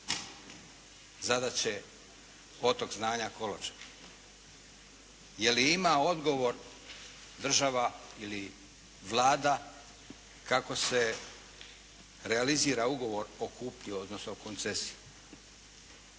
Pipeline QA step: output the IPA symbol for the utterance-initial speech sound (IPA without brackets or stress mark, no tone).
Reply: z